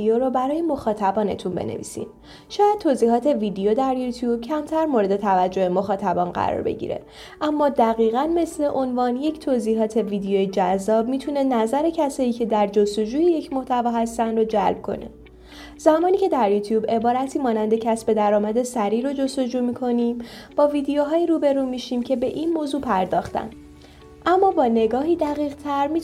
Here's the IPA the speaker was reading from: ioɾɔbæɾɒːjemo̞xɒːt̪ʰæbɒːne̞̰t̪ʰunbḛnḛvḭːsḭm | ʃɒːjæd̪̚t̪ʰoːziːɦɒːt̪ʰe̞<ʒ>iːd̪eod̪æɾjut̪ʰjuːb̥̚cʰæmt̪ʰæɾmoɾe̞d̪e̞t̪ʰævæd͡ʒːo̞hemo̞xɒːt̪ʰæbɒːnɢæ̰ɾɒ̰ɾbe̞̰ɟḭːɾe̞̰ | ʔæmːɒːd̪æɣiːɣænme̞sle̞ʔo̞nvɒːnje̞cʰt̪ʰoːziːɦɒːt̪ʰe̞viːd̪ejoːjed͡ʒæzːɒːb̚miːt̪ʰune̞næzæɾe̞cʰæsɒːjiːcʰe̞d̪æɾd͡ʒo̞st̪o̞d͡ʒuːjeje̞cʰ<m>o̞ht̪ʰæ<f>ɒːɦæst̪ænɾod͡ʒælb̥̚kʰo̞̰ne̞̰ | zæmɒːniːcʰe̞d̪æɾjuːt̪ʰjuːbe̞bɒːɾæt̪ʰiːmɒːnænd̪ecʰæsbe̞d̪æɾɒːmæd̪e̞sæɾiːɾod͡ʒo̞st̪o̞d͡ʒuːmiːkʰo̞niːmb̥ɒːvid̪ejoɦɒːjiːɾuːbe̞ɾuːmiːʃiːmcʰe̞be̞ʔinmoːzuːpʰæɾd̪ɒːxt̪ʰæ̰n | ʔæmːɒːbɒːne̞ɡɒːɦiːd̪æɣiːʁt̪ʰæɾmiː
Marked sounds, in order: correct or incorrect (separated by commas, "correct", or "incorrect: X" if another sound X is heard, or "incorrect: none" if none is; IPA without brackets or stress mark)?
incorrect: v, correct, incorrect: v